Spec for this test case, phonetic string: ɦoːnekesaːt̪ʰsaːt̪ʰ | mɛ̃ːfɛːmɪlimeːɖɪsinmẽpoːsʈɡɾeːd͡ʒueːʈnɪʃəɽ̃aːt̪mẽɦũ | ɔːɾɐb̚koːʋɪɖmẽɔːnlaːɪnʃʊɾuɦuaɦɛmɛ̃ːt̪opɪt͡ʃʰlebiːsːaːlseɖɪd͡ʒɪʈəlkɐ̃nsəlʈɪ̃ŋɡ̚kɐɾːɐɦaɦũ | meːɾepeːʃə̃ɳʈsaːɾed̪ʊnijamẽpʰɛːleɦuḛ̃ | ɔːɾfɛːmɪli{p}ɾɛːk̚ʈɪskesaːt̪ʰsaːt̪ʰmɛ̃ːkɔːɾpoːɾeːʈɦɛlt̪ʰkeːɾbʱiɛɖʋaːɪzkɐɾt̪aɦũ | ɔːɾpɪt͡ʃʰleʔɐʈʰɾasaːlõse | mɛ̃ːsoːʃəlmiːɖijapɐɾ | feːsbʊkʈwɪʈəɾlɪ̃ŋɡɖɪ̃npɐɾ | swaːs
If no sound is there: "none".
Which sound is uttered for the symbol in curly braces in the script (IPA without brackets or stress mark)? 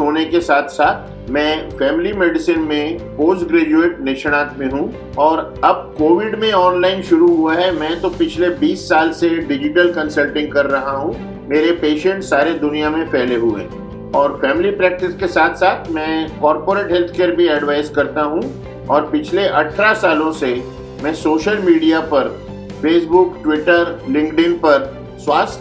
p